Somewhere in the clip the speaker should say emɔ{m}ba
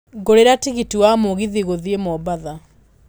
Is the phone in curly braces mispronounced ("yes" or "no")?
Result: yes